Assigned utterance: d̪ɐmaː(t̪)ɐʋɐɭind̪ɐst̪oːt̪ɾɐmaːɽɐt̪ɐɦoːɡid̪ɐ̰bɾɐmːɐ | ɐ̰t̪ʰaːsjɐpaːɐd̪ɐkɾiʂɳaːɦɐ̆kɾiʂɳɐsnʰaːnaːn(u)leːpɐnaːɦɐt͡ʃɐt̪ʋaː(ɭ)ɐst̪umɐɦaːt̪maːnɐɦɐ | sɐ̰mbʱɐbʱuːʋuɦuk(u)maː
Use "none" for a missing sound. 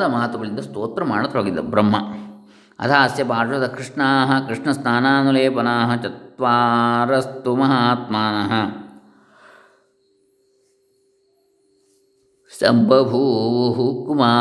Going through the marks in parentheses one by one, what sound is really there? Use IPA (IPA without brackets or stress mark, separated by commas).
t̪, u, ɾ, u